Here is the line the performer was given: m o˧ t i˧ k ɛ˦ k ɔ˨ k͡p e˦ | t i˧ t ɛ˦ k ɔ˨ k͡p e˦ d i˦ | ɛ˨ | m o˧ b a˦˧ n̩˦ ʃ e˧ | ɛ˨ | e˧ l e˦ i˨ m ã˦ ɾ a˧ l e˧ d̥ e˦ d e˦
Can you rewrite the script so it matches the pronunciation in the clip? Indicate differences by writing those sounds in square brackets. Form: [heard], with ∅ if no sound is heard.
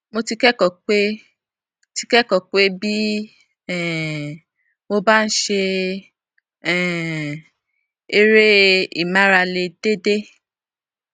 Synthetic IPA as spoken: m o˧ t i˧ k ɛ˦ k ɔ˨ k͡p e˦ | t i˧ [k] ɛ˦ k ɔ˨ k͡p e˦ [b] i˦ | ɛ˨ | m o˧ b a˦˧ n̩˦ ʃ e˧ | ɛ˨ | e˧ [ɾ] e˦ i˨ m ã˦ ɾ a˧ l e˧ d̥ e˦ d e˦